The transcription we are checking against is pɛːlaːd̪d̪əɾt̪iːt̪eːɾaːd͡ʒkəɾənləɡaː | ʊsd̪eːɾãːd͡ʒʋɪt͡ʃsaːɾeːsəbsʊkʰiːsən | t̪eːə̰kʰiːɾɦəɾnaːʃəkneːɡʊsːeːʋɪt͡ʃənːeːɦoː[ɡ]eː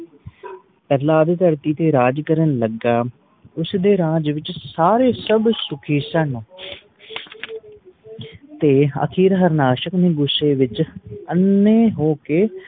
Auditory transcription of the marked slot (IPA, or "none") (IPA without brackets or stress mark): k